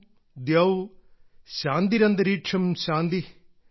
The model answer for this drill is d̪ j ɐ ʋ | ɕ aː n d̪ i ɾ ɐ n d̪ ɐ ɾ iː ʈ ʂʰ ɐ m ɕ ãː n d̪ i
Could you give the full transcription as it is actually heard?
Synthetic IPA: d̪ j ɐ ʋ | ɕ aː n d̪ i ɾ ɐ n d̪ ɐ ɾ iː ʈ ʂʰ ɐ m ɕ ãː n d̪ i